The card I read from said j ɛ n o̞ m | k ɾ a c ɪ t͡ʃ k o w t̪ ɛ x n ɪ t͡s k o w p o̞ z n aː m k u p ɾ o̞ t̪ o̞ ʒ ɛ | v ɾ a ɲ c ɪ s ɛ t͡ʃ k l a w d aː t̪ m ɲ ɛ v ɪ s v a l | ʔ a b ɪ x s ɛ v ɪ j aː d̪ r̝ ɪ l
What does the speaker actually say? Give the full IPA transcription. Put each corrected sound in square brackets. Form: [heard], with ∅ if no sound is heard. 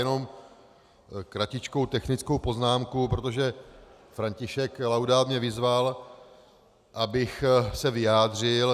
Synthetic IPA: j ɛ n o̞ m | k ɾ a c ɪ t͡ʃ k o w t̪ ɛ x n ɪ t͡s k o w p o̞ z n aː m k u p ɾ o̞ t̪ o̞ ʒ ɛ | [f] ɾ a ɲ c ɪ [ʃ] ɛ [∅] k l a w d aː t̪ m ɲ ɛ v ɪ [z] v a l | ʔ a b ɪ x s ɛ v ɪ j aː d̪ r̝ ɪ l